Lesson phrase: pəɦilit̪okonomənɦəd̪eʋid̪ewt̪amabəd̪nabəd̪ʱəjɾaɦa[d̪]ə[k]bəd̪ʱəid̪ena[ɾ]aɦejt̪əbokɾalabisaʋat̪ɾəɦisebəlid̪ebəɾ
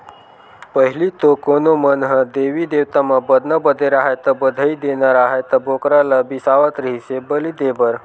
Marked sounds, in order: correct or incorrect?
incorrect: t̪, incorrect: none, correct

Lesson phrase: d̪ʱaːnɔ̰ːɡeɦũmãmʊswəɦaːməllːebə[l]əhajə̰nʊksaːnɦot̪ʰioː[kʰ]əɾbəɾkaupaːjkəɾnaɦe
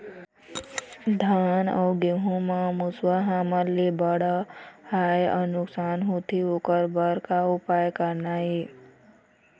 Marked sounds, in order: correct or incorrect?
incorrect: ɽ, incorrect: k

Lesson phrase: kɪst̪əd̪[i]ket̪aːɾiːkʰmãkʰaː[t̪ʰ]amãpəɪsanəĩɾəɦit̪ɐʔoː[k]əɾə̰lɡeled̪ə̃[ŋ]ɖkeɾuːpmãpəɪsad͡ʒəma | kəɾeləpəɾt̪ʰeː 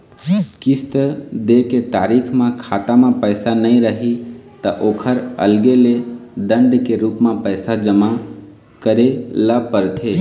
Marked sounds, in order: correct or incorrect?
incorrect: e, incorrect: t̪, incorrect: kʰ, incorrect: ɳ

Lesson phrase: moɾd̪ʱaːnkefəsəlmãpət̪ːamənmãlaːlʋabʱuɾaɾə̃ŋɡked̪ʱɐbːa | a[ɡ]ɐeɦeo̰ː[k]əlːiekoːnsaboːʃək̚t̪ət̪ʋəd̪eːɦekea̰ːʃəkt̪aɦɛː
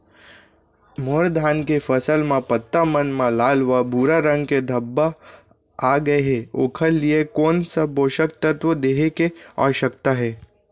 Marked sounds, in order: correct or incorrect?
correct, incorrect: kʰ

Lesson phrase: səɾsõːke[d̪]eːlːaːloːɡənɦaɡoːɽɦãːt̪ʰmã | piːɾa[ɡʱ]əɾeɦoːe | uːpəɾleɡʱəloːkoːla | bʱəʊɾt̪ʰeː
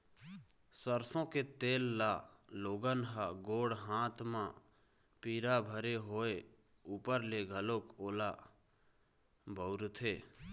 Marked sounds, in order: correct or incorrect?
incorrect: t̪, incorrect: bʱ

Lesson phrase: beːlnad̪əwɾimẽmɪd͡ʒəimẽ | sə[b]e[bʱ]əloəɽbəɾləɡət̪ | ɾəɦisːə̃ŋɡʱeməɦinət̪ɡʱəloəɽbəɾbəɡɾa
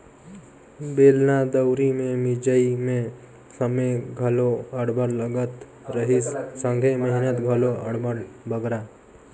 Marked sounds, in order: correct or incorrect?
incorrect: m, incorrect: ɡʱ

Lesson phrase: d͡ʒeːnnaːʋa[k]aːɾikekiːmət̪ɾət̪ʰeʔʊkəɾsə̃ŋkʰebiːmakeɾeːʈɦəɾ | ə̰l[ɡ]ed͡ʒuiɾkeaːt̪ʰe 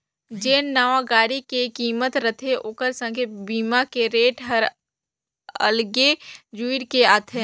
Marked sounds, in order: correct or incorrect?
incorrect: ɡ, correct

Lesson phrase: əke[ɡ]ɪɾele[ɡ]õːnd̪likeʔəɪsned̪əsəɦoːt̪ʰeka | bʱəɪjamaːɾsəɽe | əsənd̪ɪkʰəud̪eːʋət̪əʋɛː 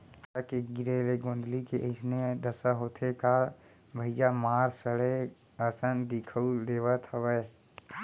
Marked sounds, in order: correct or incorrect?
correct, correct

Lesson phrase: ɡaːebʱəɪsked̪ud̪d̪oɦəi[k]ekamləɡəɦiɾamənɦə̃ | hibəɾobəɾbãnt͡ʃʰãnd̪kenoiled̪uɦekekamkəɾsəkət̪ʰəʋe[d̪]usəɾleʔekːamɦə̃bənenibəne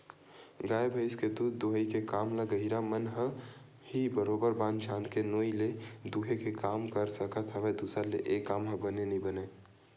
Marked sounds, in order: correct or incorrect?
correct, correct

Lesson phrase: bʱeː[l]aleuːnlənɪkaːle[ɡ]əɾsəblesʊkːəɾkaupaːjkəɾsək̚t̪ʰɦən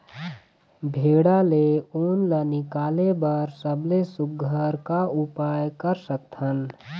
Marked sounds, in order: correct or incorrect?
incorrect: ɽ, incorrect: b

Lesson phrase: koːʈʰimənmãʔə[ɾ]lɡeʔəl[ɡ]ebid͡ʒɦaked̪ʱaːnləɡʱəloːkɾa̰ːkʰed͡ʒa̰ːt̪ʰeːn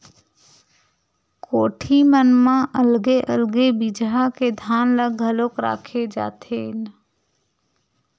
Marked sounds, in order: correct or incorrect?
incorrect: none, correct

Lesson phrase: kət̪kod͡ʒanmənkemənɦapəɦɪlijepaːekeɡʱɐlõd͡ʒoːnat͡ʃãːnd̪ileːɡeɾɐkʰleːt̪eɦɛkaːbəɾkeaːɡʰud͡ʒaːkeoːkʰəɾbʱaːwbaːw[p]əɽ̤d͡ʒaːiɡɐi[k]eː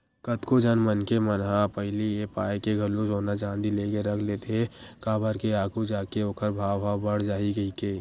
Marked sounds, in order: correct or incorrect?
incorrect: b, correct

